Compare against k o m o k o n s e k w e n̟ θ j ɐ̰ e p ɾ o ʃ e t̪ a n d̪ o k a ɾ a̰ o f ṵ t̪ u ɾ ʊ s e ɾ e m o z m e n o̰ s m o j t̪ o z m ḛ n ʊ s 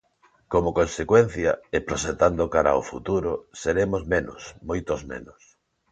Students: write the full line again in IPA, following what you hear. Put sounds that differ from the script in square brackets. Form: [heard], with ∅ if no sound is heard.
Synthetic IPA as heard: k o m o k o n s e k w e n̟ θ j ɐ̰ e p ɾ o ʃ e t̪ a n d̪ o k a ɾ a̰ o f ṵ t̪ u ɾ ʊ s e ɾ e m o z m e n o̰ s m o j t̪ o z m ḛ n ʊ s